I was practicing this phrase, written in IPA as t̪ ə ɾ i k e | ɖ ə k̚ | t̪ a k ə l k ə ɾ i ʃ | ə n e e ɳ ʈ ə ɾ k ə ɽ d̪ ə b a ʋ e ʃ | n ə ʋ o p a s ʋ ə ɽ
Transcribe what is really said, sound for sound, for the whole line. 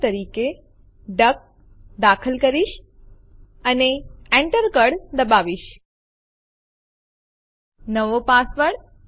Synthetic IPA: t̪ ə ɾ i k e | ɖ ə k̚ | d̪ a kʰ ə l k ə ɾ i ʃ | ə n e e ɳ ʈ ə ɾ k ə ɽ d̪ ə b a ʋ i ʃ | n ə ʋ o p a s ʋ ə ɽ